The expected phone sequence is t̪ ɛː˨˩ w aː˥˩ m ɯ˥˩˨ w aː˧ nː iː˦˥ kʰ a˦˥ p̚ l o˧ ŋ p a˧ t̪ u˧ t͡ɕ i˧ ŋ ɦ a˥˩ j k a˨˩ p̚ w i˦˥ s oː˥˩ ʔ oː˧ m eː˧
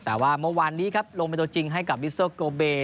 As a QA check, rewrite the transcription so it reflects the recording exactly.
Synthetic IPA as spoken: t̪ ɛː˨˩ w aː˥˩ m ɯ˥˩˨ w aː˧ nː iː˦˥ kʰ a˦˥ p̚ l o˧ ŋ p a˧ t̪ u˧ t͡ɕ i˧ ŋ ɦ a˥˩ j k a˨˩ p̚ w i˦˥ s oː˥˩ k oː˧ b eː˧